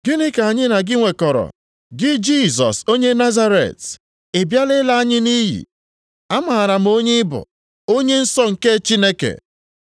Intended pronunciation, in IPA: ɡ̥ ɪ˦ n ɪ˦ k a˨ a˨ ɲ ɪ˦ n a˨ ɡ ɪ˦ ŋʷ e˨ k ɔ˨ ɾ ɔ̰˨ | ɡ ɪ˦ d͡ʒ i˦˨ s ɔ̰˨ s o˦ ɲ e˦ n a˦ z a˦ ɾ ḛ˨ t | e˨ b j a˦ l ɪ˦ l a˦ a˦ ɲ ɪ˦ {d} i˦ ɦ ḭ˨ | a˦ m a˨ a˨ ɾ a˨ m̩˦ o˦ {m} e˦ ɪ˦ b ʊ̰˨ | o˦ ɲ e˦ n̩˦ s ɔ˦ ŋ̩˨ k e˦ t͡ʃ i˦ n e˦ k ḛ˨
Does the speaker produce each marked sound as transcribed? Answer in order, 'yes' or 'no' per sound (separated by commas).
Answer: no, no